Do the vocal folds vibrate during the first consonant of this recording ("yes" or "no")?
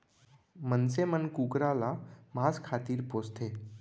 yes